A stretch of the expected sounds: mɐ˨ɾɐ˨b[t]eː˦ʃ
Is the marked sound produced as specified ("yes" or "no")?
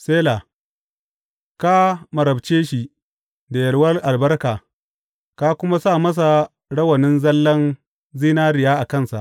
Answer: no